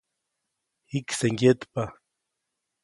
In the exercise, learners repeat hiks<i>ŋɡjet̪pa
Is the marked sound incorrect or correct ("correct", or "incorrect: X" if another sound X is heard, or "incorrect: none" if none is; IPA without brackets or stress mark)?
incorrect: e